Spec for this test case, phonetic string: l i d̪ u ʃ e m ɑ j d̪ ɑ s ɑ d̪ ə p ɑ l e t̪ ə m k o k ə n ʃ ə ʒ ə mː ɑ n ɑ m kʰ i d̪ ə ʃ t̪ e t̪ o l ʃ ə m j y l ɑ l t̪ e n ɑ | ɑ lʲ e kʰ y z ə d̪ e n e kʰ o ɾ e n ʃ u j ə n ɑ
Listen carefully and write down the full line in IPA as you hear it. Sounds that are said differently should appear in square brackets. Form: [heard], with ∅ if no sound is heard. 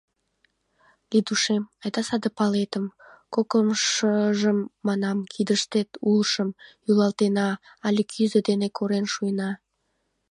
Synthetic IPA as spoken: l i d̪ u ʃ e m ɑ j d̪ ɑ s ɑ d̪ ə p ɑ l e t̪ ə m k o k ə [m] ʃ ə ʒ ə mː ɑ n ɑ m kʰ i d̪ ə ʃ t̪ e t̪ [u] l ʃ ə m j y l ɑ l t̪ e n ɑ | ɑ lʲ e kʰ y z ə d̪ e n e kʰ o ɾ e n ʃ u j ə n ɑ